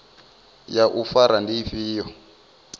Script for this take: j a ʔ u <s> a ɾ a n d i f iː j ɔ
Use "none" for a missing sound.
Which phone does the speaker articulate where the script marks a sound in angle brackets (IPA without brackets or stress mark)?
f